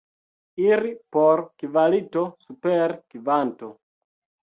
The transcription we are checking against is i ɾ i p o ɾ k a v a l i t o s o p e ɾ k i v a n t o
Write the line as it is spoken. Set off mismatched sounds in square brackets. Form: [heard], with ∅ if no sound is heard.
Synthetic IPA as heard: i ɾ i p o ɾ k [i] v a l i t o s [u] p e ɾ k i v a n t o